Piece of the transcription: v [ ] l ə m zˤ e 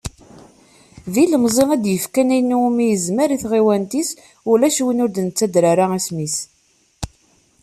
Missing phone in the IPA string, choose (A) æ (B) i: B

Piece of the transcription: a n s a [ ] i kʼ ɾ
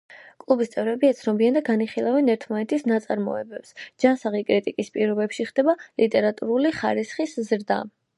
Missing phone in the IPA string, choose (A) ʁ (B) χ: A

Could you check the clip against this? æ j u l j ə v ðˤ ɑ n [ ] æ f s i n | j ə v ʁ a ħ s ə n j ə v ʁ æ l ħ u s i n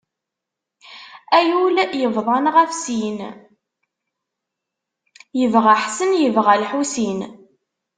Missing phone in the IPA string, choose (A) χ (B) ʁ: B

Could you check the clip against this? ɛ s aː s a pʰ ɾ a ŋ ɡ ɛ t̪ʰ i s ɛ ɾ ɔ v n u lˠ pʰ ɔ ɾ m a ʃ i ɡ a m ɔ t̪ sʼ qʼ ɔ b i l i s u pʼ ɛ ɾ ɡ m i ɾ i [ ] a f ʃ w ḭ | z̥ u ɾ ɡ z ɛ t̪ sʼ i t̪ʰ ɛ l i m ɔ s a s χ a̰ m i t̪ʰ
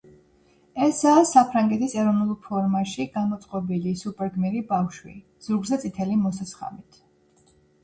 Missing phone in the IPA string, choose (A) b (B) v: A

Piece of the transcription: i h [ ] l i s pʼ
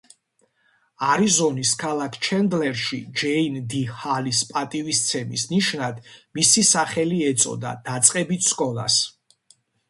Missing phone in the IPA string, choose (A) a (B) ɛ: A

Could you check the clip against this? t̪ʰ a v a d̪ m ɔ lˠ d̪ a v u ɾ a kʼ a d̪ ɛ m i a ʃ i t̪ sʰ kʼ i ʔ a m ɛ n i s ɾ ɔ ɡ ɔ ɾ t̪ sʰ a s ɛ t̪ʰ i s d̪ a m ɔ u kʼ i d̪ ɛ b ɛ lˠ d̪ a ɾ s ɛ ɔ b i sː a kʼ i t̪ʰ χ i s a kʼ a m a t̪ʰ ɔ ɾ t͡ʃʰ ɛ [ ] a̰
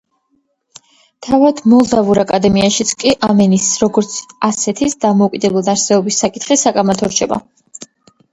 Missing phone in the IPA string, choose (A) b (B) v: A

